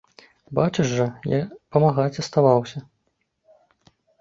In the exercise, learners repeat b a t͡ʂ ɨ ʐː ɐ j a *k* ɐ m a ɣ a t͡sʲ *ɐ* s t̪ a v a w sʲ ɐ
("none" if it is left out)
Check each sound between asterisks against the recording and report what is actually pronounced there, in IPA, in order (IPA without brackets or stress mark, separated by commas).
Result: p, ɐ